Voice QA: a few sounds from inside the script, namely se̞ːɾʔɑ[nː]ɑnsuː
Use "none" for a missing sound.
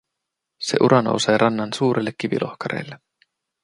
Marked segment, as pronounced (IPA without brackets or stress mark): nː